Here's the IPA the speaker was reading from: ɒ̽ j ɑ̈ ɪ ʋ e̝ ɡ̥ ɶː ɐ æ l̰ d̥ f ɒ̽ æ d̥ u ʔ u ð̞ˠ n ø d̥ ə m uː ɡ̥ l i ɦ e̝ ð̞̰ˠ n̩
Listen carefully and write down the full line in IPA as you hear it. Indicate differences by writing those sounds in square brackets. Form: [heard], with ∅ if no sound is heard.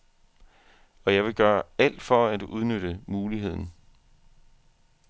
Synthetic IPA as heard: ɒ̽ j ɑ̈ ɪ ʋ e̝ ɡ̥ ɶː ɐ æ l̰ d̥ f ɒ̽ æ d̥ u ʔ u ð̞ˠ n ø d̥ ə m uː [∅] l i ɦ e̝ ð̞̰ˠ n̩